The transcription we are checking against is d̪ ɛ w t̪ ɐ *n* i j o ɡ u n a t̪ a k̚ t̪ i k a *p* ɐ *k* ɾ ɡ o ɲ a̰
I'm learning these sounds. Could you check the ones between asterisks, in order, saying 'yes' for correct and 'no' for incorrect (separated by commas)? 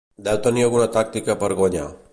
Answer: yes, yes, no